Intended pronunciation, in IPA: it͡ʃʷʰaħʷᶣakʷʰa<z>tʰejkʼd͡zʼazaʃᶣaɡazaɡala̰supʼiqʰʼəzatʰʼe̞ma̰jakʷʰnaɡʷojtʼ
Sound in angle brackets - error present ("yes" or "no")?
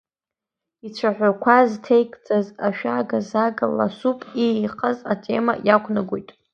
no